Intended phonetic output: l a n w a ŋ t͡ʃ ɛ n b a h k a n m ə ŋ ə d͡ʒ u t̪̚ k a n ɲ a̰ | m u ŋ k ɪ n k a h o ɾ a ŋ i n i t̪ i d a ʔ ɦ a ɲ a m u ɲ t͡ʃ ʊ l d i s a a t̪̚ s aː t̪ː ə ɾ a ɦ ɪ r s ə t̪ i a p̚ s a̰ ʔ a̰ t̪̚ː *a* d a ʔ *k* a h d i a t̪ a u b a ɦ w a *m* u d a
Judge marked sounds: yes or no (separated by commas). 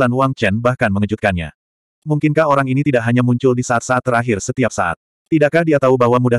no, yes, yes